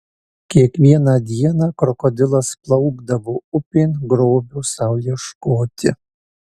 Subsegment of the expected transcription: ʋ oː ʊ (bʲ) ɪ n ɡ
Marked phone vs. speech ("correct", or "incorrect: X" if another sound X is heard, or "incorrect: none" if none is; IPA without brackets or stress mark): incorrect: pʲ